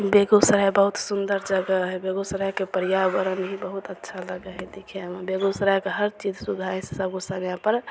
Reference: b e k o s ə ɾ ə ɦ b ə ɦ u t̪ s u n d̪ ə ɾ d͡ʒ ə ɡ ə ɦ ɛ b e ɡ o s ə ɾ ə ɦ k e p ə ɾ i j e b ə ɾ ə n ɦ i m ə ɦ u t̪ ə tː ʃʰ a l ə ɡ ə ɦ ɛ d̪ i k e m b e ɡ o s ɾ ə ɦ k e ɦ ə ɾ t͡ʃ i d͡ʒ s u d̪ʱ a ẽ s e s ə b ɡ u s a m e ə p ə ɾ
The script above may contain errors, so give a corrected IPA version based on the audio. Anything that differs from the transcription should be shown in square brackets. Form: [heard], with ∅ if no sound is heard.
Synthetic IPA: b e [ɡ] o s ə ɾ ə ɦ b ə ɦ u t̪ s u n d̪ ə ɾ d͡ʒ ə ɡ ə ɦ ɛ b e ɡ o s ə ɾ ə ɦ k e p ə ɾ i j [a] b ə ɾ ə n ɦ i [b] ə ɦ u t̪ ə tː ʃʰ a l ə ɡ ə ɦ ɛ d̪ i [kʰ] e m b e ɡ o s ɾ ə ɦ k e ɦ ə ɾ t͡ʃ i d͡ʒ s u d̪ʱ a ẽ s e s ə b ɡ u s a m e [a] p ə ɾ